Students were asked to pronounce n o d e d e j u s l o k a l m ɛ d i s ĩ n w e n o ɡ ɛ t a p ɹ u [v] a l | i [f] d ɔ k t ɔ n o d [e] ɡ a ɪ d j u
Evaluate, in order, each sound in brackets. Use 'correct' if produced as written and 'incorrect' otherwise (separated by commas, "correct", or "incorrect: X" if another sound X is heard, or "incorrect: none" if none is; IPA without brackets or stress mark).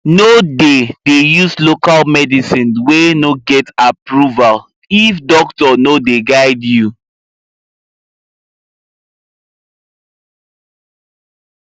correct, correct, correct